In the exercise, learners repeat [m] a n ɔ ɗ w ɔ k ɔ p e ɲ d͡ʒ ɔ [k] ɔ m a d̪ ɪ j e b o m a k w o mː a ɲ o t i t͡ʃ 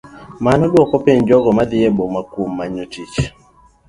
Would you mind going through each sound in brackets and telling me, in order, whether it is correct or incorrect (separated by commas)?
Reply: correct, incorrect